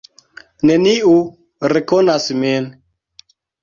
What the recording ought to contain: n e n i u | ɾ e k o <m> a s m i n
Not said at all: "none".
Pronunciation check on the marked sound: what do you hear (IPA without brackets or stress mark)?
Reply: n